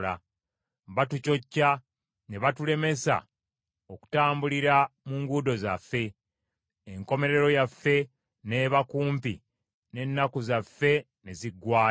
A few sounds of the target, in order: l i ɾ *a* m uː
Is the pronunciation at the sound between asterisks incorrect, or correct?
correct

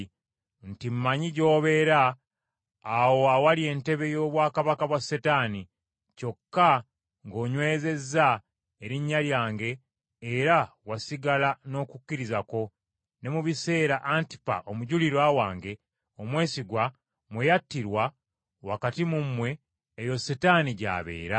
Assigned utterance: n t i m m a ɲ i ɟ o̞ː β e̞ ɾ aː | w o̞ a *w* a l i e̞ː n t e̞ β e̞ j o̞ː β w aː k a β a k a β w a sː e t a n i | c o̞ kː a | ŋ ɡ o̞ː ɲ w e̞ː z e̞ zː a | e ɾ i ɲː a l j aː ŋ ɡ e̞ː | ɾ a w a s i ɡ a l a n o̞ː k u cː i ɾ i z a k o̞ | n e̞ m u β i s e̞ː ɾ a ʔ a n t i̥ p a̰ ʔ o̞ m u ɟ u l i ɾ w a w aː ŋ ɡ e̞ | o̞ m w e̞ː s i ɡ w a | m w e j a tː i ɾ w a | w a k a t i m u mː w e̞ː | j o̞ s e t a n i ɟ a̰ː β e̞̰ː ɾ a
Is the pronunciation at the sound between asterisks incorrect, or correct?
correct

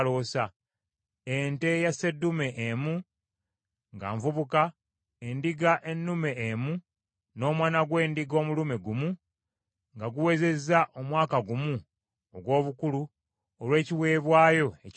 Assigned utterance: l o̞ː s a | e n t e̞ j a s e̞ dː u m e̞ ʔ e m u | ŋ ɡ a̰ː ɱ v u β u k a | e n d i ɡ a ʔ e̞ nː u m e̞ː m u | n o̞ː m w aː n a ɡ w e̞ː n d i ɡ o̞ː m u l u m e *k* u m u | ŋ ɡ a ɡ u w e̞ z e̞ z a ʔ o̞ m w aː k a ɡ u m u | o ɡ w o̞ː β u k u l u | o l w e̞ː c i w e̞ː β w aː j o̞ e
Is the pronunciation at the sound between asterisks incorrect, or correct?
incorrect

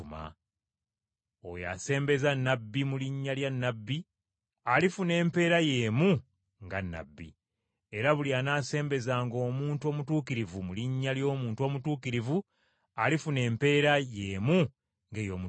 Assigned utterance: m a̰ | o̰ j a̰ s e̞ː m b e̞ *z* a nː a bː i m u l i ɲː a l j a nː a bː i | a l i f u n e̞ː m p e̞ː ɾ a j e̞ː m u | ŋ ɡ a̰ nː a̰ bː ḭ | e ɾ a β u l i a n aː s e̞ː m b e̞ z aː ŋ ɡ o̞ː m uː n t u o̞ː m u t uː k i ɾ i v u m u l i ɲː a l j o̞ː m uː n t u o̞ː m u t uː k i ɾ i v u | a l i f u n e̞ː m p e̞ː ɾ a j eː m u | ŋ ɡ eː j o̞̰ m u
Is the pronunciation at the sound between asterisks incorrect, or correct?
correct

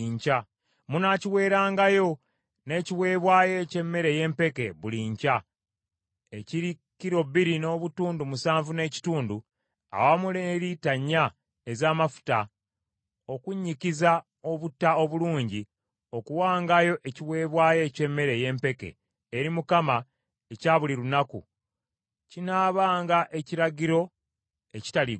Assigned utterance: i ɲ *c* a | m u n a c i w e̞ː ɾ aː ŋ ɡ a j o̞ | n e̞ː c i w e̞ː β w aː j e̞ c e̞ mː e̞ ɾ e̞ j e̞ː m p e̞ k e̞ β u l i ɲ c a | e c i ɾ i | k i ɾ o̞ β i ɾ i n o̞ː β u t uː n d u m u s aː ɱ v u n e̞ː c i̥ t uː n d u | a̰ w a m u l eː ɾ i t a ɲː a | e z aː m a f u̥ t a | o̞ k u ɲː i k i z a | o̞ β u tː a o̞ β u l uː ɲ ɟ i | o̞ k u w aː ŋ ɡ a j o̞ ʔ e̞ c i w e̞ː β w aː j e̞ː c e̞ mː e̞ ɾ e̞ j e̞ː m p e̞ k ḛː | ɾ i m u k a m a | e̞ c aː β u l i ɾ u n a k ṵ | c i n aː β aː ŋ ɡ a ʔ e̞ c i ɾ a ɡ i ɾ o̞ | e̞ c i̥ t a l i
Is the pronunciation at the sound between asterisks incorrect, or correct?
correct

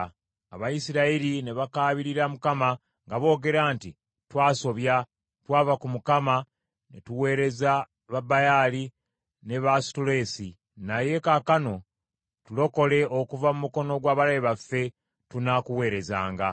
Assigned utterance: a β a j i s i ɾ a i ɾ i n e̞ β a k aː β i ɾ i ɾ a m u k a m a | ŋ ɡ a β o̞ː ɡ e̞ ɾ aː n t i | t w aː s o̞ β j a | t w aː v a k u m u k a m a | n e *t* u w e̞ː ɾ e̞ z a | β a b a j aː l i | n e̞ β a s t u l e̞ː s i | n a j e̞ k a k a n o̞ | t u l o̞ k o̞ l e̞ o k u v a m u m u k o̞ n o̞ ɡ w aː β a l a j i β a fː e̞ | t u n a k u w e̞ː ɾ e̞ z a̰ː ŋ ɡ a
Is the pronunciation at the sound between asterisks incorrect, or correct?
correct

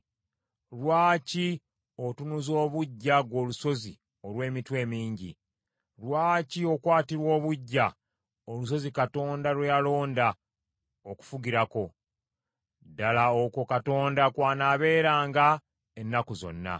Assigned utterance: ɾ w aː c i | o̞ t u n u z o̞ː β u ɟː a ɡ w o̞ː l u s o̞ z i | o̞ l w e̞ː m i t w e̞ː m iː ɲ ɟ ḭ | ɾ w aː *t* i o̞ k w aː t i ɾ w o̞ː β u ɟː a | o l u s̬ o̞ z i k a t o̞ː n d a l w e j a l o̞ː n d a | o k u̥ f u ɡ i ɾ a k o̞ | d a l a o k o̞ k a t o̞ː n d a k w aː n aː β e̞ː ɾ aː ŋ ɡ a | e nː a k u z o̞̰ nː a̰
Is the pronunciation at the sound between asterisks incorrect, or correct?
incorrect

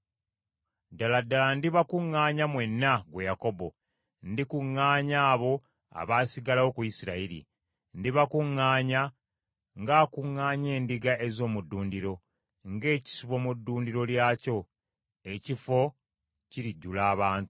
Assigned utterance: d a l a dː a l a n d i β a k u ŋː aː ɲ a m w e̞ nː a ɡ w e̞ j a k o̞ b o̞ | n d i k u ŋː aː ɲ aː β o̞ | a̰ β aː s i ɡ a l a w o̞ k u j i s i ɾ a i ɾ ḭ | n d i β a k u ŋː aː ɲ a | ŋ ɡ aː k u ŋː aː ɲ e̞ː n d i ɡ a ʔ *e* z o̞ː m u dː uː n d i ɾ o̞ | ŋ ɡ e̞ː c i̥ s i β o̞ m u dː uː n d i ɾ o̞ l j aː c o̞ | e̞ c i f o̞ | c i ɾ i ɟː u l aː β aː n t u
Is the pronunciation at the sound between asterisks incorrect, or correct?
correct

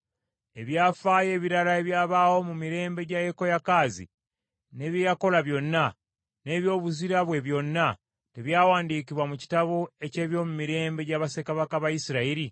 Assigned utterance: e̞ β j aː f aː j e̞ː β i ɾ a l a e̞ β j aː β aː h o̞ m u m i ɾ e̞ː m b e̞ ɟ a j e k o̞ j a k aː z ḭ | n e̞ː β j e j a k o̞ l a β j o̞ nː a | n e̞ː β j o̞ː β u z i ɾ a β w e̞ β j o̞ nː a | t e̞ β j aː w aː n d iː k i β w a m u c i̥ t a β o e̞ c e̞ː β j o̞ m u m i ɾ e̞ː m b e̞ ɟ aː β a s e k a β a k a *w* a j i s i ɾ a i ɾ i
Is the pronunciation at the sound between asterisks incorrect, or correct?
incorrect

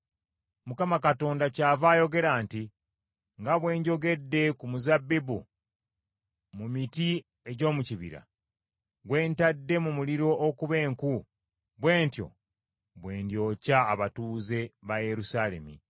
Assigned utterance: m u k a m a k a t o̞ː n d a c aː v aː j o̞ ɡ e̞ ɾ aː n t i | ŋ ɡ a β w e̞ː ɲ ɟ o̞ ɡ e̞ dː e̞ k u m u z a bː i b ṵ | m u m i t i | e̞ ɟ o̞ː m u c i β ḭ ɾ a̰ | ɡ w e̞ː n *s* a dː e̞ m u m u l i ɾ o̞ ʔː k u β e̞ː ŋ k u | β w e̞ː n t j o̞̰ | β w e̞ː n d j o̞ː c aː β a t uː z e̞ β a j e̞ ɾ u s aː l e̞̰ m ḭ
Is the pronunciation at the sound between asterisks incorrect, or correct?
incorrect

